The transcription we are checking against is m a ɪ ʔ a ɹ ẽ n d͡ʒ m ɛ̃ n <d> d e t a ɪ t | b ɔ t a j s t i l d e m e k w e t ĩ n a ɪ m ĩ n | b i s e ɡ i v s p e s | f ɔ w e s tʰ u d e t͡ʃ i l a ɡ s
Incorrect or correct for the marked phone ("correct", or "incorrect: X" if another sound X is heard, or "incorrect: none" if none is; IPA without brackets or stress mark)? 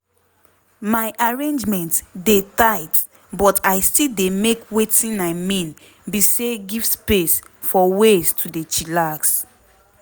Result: incorrect: t